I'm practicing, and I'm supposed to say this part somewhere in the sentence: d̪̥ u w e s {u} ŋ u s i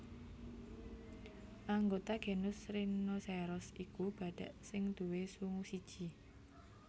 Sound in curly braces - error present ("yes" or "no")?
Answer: no